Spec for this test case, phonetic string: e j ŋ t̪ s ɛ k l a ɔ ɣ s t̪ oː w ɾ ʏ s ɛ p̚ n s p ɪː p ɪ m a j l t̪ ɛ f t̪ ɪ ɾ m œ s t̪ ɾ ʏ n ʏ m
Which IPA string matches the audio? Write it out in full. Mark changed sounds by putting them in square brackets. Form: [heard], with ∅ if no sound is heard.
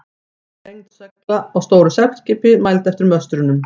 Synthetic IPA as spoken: e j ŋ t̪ s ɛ k l a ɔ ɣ s t̪ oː w ɾ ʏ s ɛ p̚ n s [c] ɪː p ɪ m a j l t̪ ɛ f t̪ ɪ ɾ m œ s t̪ ɾ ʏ n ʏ m